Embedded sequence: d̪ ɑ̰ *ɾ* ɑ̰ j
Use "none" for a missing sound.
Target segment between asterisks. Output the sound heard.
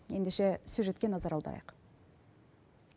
ɾ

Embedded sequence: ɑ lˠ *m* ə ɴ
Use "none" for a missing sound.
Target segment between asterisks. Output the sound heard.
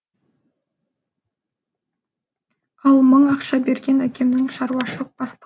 m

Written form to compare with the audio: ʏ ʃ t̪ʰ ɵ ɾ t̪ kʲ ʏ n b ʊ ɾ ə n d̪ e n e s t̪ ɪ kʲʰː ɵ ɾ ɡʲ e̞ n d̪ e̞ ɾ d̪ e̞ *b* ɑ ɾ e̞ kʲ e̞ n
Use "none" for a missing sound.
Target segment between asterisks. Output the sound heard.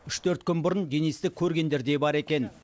b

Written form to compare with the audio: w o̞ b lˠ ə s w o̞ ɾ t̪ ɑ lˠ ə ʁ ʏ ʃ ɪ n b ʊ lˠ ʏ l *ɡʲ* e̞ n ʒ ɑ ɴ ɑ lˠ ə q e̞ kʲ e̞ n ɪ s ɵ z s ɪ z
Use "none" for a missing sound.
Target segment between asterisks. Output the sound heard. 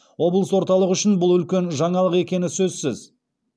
kʲ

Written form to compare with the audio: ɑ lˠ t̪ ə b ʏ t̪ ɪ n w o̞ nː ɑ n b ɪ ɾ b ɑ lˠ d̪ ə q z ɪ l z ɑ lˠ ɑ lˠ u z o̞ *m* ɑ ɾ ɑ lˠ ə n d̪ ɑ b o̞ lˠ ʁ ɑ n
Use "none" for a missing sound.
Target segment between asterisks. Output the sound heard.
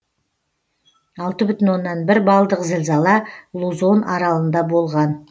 n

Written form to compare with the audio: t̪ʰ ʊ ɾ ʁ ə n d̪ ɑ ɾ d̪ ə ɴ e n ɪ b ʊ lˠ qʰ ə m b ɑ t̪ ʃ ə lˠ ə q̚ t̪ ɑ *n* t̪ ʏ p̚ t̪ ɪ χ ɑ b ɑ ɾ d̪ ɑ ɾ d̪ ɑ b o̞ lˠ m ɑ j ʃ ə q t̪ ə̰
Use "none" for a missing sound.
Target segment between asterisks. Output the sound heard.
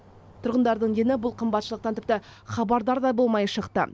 n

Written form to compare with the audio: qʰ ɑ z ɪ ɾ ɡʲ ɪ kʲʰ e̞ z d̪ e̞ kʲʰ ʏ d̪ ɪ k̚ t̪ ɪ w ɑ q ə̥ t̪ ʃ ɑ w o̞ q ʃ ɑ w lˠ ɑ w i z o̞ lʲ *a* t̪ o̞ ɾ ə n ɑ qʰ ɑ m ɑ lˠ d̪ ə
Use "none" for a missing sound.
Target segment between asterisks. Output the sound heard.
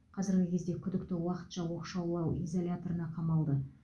a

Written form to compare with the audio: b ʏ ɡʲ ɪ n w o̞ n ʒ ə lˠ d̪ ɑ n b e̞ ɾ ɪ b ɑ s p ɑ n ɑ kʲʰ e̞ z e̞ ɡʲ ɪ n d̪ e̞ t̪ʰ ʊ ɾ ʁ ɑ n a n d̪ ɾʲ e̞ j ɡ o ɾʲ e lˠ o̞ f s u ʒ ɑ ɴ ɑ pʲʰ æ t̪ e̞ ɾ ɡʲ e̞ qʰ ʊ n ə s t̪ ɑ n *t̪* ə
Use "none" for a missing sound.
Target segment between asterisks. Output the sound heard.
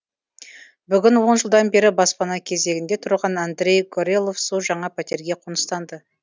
d̪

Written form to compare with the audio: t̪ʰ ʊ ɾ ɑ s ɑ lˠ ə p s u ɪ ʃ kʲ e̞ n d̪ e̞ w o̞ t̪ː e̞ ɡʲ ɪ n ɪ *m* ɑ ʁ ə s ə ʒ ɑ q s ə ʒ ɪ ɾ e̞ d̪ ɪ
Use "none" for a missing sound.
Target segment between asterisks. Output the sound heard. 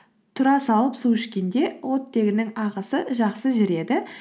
ŋ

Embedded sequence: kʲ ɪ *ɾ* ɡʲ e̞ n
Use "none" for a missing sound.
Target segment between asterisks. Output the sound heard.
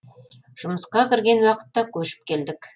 ɾ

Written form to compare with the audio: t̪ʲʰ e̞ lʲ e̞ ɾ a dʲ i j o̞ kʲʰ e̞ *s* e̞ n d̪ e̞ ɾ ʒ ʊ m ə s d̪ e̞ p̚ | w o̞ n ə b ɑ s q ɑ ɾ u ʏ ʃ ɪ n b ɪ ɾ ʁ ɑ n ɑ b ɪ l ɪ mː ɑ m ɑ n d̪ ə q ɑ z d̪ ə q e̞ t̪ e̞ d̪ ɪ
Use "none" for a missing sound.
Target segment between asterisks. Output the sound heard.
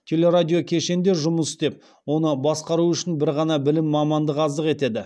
ʃ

